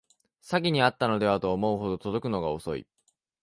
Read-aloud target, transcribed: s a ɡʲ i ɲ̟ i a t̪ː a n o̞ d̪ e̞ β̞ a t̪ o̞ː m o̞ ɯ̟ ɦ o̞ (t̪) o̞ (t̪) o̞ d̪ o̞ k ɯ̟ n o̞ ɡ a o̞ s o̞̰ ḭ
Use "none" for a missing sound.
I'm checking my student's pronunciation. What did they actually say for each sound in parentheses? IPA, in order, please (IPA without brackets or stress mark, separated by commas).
d̪, t̪